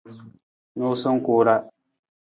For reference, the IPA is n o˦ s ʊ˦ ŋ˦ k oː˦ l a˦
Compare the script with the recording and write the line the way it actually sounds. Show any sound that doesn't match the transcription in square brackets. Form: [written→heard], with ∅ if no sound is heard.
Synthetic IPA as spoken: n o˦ s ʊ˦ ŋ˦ k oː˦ [l→ɾ] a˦

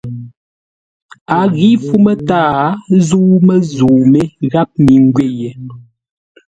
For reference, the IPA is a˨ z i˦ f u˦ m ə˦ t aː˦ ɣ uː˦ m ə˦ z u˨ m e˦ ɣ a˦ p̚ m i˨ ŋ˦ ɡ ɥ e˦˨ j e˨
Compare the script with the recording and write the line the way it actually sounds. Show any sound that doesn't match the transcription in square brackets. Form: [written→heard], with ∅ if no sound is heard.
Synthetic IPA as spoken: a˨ [z→ɣ] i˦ f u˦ m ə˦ t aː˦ [ɣ→z] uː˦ m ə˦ z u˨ m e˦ ɣ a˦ p̚ m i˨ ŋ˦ ɡ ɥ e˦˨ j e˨

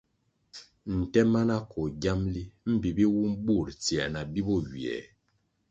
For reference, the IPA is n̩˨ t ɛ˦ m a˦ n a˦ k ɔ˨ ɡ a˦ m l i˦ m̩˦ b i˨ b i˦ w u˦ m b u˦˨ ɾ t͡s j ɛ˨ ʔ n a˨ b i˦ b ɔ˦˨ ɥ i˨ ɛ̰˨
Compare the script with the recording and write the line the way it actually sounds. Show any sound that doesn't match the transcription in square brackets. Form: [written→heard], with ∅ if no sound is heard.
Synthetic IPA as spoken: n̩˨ t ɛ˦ m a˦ n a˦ k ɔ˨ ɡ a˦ m l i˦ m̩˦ b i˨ b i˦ w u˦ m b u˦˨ ɾ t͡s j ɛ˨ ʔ n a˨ b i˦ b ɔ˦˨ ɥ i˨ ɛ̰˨

